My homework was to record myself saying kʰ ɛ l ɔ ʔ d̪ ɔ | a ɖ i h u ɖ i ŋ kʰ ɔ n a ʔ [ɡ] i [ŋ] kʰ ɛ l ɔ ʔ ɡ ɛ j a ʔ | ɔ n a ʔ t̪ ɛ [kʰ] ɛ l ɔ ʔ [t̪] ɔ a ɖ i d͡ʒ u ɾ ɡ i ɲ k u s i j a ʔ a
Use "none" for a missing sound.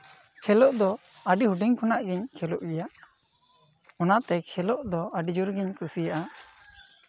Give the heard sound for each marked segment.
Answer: ɡ, ɲ, kʰ, d̪

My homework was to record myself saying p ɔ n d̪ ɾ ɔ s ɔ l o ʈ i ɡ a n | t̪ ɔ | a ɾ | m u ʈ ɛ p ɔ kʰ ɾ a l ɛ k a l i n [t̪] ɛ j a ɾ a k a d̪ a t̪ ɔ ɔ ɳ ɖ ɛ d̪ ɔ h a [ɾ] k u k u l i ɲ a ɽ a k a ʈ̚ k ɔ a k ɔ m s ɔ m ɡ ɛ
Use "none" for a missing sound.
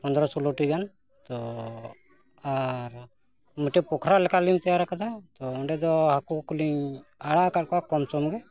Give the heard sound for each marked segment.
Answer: t̪, none

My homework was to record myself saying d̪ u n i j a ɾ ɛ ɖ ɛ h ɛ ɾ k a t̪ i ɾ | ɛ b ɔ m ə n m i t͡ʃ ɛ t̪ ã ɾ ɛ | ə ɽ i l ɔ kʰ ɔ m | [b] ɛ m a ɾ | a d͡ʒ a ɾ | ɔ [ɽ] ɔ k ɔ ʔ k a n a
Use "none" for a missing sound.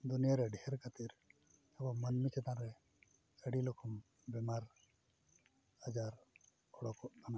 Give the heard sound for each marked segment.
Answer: b, ɽ

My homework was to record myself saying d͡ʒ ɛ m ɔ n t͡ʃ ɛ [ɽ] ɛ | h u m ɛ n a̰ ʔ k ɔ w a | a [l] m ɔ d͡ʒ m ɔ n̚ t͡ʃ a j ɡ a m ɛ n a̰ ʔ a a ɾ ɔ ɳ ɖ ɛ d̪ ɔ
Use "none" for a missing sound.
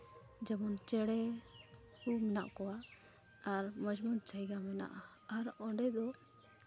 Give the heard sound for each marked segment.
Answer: ɽ, ɾ

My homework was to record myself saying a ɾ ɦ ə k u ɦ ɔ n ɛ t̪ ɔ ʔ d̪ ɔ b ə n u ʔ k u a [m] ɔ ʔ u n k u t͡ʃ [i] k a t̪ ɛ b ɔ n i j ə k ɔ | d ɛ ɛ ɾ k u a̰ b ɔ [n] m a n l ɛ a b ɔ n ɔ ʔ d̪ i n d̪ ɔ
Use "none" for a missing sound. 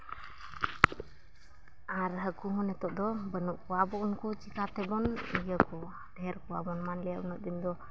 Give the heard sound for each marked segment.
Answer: b, i, n

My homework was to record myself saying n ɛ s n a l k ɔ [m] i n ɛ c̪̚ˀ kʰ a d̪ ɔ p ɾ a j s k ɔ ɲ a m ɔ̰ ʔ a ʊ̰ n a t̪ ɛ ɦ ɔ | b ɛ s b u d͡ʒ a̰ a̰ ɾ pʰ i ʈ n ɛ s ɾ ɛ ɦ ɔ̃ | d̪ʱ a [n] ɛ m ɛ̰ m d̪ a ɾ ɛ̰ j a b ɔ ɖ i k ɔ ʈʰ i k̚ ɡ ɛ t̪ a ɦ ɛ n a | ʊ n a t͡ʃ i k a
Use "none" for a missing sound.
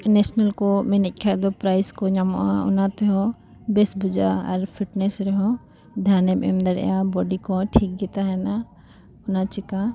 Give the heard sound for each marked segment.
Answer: m, n

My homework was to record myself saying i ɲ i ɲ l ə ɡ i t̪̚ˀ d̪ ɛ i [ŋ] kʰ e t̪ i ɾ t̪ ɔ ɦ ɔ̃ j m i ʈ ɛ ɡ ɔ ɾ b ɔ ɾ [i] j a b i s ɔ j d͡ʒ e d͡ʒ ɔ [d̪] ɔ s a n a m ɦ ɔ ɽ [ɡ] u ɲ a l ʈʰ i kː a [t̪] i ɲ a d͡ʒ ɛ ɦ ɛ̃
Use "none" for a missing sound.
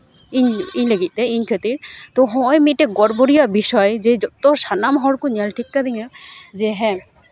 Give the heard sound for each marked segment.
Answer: ɲ, i, t̪, k, d̪

